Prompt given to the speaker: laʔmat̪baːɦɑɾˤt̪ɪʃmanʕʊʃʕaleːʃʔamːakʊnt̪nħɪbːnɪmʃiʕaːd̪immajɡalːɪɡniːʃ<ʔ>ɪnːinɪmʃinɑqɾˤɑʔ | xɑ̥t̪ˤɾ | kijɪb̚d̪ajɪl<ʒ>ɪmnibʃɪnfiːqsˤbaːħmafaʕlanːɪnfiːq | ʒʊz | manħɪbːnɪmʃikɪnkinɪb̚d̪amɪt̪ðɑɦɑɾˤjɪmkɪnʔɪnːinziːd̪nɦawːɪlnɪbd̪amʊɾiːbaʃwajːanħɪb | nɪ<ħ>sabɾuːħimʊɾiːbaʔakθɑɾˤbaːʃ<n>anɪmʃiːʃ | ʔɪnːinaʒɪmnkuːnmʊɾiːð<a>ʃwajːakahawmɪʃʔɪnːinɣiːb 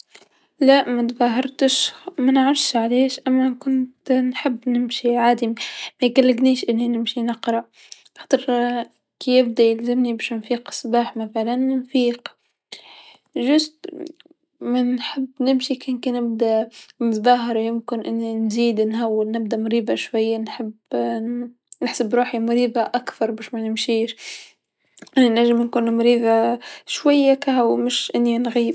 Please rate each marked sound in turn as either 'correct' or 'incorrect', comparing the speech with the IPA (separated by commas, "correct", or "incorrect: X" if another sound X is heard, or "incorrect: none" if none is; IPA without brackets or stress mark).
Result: correct, incorrect: z, correct, incorrect: m, correct